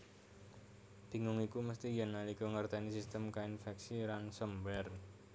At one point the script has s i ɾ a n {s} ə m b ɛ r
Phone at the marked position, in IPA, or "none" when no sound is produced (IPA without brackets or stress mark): s